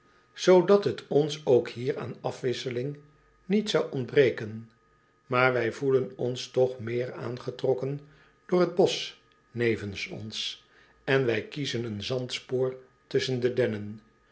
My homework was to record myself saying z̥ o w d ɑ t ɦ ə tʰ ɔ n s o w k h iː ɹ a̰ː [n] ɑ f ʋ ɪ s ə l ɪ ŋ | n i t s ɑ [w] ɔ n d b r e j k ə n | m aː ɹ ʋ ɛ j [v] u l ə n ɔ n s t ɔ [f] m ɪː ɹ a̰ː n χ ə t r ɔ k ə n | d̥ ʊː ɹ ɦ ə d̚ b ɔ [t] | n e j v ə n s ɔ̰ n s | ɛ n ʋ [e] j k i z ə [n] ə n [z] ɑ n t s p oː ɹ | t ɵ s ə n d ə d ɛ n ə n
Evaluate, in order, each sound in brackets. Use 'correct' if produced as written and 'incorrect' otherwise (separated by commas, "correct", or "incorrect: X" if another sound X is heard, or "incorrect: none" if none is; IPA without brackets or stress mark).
correct, correct, correct, incorrect: χ, incorrect: s, incorrect: ɛ, correct, correct